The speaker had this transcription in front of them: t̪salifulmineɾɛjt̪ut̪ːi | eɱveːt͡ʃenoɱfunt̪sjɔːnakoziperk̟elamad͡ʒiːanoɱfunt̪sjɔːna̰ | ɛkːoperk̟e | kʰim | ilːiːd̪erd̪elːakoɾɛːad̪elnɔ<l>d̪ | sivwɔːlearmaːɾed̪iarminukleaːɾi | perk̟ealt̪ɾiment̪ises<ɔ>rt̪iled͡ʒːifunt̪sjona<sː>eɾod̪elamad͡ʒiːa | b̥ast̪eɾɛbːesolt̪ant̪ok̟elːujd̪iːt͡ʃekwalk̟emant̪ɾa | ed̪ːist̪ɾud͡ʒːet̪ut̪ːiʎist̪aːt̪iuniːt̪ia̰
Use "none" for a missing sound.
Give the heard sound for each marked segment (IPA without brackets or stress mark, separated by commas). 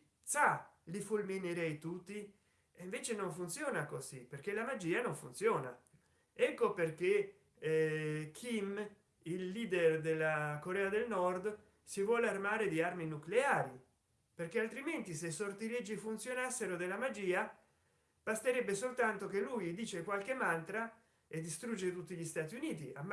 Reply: r, o, sː